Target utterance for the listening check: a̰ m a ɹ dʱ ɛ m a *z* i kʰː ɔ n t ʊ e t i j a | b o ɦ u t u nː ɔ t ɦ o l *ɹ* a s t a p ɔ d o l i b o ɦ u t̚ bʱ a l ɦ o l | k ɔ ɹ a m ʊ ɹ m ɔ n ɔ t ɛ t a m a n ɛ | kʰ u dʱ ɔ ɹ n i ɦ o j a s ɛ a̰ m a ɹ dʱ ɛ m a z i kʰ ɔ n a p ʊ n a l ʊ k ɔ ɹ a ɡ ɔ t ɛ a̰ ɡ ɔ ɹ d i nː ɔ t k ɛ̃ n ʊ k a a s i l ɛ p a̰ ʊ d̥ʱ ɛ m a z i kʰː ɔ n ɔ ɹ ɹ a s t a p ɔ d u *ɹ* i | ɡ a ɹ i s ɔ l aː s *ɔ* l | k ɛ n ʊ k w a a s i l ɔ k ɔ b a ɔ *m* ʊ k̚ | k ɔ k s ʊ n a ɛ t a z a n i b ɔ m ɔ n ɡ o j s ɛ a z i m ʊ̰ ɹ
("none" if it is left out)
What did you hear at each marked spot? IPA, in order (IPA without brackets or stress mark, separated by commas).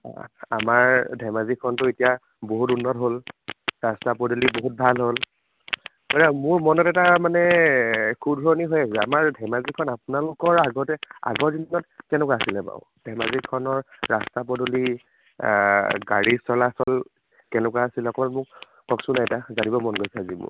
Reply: z, ɹ, l, ɔ, m